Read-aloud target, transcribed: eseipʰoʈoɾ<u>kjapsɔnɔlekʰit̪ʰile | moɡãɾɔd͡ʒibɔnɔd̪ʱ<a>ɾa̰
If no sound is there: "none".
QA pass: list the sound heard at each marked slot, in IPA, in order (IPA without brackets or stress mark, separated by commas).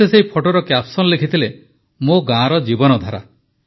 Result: ɔ, a